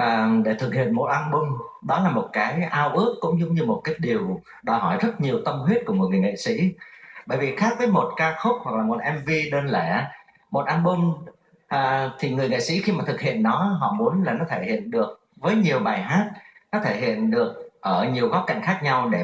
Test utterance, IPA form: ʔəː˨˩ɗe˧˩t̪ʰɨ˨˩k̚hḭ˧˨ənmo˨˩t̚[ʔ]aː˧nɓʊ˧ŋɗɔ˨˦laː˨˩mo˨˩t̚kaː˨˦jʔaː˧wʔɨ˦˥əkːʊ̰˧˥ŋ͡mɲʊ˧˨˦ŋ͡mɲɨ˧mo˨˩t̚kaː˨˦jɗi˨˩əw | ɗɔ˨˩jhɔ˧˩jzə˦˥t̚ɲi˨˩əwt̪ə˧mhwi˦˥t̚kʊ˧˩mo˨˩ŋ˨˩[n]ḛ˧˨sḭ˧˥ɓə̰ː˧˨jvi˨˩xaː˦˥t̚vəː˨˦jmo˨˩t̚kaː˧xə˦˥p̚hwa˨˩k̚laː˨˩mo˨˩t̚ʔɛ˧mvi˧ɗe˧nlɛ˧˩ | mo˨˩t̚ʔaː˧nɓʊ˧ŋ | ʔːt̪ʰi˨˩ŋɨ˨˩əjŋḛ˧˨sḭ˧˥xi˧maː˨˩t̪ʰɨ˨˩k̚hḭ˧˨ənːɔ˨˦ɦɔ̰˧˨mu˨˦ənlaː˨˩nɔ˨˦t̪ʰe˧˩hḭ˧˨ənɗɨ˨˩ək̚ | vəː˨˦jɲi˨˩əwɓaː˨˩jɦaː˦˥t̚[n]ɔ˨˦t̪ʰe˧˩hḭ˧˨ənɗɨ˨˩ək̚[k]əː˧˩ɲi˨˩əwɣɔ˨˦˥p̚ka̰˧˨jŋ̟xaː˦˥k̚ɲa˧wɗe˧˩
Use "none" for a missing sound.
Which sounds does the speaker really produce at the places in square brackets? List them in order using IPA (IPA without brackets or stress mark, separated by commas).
ʔ, ŋ, n, ʔ